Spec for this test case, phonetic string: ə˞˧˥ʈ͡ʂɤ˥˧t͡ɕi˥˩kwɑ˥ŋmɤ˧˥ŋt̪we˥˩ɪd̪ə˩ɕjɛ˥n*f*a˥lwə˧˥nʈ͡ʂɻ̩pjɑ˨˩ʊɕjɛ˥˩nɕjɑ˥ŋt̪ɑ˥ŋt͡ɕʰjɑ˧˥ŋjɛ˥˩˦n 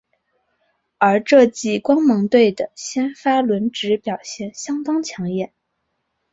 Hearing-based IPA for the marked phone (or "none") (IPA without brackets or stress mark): f